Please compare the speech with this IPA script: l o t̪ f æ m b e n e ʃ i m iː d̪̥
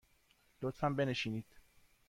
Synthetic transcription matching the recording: l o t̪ f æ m b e n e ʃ i n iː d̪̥